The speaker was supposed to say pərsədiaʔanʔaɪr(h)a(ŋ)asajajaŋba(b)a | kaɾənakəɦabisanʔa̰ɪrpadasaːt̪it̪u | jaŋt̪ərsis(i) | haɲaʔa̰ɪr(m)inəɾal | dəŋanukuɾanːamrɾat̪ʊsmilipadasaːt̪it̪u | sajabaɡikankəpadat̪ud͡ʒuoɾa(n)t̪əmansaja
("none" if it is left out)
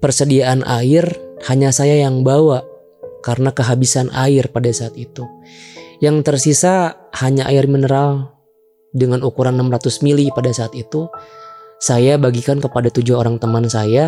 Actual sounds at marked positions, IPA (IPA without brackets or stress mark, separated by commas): h, ɲ, w, a, m, ŋ